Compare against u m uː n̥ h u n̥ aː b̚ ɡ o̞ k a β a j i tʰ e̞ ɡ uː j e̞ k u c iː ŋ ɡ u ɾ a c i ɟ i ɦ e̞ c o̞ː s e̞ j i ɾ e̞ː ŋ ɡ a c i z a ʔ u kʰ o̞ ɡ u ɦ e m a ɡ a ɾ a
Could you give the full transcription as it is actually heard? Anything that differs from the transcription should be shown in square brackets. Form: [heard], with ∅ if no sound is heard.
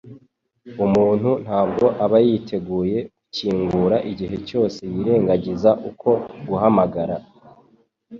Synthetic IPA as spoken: u m uː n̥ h u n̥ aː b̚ ɡ o̞ [ʔ] a β a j i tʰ e̞ ɡ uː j e̞ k u c iː ŋ ɡ u ɾ a [ʔ] i ɟ i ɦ e̞ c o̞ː s e̞ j i ɾ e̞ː ŋ ɡ a [ɟ] i z a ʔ u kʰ o̞ ɡ u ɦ [a] m a ɡ a ɾ a